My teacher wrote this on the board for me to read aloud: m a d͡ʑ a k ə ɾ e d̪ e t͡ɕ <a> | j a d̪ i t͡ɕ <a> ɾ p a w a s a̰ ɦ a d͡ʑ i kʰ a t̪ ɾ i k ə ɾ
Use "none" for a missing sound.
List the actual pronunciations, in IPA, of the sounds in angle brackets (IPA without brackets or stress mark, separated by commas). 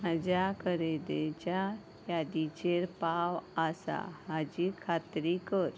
a, e